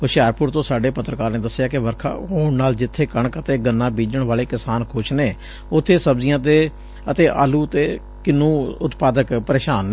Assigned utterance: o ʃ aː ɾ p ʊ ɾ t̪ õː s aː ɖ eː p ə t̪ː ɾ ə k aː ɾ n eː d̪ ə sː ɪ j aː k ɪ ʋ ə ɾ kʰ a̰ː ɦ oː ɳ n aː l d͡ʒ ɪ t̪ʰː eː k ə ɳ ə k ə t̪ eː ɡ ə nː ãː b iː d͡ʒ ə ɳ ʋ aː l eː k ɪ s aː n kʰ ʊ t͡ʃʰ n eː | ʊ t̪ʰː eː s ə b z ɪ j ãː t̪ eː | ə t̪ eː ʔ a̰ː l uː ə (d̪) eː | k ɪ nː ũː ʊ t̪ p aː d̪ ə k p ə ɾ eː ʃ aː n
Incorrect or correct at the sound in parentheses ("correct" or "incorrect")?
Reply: incorrect